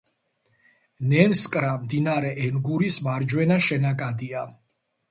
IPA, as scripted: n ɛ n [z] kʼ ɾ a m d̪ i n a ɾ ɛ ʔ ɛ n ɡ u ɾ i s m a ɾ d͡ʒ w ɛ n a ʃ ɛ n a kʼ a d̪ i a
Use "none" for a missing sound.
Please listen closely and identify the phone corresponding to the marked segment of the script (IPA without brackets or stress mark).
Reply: s